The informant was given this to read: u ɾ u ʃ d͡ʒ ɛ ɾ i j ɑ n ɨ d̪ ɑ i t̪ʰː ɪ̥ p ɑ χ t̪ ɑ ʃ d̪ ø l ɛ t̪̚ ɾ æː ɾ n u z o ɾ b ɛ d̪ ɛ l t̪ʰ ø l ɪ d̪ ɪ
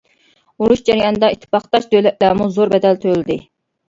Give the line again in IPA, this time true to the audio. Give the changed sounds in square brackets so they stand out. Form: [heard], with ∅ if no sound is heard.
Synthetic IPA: u ɾ u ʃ d͡ʒ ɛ ɾ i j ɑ n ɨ d̪ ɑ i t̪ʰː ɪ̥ p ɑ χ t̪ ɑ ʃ d̪ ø l ɛ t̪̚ [l] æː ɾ [m] u z o ɾ b ɛ d̪ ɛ l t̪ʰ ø l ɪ d̪ ɪ